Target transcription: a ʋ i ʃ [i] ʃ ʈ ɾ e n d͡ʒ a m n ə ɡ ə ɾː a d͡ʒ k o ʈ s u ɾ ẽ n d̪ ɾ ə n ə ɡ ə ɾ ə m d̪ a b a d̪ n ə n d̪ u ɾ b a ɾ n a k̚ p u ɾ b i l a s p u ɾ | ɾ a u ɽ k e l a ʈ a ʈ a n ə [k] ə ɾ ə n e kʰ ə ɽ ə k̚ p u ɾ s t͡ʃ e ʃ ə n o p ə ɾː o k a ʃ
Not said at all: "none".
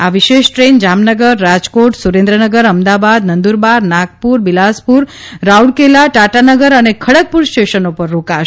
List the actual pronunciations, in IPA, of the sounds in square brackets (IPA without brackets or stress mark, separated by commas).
e, ɡ